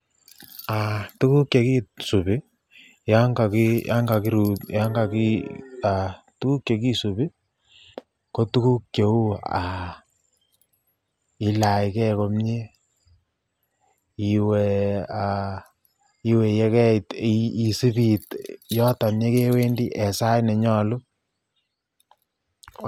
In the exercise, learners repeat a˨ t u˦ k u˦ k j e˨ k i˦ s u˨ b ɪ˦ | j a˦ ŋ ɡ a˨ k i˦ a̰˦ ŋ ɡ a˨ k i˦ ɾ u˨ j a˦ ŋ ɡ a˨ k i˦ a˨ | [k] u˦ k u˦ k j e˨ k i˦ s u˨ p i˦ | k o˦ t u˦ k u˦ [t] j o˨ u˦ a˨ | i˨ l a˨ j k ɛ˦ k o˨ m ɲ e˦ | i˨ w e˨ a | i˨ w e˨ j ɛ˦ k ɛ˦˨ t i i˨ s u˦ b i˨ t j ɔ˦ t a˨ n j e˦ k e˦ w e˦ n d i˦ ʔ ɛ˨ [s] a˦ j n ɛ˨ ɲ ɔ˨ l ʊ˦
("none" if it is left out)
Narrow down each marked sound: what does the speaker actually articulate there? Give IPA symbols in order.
t, k, s

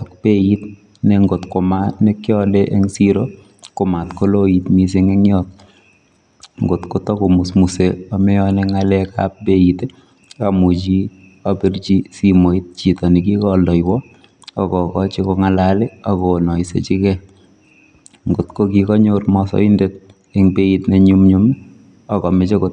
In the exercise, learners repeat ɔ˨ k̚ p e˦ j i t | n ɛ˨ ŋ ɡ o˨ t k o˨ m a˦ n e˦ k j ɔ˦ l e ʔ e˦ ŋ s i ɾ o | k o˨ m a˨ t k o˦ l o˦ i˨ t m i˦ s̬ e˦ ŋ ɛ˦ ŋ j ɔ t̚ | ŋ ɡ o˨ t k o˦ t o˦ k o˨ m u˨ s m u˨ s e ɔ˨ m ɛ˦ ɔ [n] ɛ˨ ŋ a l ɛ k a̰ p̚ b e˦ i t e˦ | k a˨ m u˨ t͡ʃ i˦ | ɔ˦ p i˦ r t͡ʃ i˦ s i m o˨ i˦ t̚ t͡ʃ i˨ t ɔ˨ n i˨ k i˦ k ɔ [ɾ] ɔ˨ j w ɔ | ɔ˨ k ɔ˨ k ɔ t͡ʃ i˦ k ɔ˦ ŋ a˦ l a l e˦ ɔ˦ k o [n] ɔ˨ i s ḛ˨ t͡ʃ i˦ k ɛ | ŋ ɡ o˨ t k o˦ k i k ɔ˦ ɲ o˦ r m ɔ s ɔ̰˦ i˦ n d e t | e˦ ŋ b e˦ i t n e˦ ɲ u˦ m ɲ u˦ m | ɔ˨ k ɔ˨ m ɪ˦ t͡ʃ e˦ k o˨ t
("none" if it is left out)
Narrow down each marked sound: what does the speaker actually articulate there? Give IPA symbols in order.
n, l, n

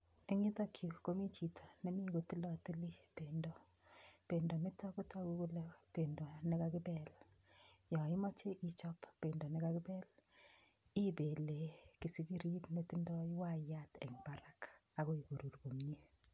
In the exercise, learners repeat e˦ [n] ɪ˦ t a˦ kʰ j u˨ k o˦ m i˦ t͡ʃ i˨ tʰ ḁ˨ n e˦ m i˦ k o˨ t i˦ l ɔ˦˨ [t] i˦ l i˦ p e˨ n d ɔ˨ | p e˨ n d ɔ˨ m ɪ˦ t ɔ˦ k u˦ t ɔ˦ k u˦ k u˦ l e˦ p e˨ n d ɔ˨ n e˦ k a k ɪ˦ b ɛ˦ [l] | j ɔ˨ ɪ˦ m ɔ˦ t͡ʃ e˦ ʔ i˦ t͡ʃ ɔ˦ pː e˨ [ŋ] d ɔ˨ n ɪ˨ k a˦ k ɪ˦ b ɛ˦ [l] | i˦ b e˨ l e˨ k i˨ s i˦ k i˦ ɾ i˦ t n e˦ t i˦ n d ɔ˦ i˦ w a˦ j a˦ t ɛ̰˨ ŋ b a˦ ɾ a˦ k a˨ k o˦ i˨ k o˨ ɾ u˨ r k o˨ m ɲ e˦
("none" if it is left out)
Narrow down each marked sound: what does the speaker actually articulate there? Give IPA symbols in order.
ŋ, t, l, n, l

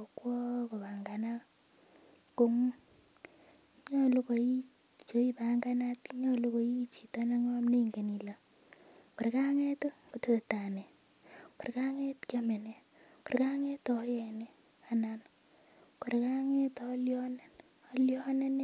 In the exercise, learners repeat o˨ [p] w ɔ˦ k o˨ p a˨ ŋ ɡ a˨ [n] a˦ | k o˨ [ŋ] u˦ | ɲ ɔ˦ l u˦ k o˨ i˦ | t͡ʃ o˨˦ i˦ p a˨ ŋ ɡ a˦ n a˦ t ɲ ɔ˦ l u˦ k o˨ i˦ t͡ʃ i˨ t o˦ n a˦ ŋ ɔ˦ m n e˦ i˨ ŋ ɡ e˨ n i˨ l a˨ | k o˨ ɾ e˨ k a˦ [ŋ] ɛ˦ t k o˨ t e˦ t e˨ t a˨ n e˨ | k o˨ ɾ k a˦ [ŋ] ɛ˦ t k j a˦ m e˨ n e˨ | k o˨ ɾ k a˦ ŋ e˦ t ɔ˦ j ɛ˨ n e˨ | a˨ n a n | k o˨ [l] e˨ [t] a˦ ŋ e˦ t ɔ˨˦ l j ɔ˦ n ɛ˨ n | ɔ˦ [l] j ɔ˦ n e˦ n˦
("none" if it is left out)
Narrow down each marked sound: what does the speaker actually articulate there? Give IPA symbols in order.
k, n, ŋ, ŋ, ŋ, ɾ, k, l

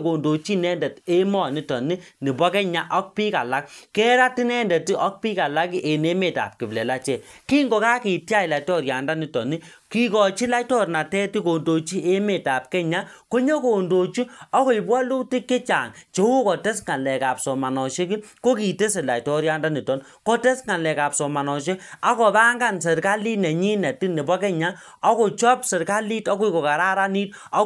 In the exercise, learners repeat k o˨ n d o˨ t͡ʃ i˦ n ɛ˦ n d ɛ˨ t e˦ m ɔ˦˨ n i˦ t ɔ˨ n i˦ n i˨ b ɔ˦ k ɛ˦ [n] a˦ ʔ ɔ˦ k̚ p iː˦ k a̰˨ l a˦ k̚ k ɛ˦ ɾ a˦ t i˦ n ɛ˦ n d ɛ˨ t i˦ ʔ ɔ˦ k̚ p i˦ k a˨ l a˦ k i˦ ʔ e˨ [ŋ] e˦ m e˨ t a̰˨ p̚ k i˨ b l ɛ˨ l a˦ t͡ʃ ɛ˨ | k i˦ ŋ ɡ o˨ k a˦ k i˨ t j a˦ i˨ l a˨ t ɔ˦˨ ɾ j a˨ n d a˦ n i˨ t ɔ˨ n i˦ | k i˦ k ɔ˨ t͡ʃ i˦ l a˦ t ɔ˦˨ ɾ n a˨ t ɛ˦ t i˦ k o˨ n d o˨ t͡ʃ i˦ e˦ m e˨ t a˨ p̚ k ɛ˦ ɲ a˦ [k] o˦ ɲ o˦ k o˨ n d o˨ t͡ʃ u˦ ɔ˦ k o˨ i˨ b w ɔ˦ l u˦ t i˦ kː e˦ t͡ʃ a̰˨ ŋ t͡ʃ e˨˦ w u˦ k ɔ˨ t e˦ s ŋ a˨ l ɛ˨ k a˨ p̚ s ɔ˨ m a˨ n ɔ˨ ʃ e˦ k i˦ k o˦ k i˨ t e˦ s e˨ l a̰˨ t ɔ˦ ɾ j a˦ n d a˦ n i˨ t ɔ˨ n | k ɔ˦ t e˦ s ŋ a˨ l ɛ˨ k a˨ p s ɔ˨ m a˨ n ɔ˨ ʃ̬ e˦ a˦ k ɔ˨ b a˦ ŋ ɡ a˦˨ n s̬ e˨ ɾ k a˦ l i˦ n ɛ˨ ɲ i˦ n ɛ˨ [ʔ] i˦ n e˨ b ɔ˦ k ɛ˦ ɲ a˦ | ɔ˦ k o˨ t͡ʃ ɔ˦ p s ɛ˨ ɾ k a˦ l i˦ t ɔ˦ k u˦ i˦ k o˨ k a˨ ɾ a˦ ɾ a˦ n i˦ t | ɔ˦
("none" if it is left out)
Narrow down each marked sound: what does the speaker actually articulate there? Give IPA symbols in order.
ɲ, n, k, t

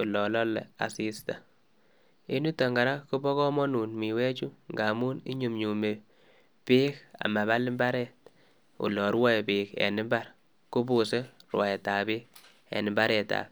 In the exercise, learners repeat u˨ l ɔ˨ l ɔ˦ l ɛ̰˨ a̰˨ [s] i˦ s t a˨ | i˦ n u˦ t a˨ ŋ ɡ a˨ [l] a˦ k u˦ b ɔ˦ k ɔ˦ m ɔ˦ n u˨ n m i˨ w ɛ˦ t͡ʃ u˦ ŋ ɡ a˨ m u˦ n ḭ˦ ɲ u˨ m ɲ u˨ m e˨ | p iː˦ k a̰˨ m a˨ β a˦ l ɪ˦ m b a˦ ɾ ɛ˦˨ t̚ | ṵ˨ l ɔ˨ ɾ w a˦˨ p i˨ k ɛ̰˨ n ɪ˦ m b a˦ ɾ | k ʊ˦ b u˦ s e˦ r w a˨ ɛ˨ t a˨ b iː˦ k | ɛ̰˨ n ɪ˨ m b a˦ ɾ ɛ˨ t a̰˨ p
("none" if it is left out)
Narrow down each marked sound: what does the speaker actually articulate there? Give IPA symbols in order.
s, ɾ

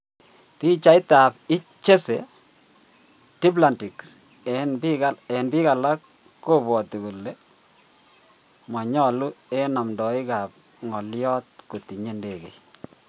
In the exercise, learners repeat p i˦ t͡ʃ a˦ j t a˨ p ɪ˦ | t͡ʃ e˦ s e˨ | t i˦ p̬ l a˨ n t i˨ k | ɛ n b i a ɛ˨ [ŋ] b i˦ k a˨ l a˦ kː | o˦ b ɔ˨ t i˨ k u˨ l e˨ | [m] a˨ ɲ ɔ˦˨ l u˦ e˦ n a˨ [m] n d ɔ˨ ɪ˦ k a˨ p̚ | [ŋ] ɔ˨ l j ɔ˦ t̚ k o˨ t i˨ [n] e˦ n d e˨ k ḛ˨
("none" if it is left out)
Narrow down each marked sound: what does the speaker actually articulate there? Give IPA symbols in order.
n, m, m, ŋ, ɲ

